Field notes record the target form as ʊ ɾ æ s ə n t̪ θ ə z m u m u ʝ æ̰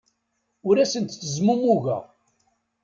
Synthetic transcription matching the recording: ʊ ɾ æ s ə n t̪ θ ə z m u m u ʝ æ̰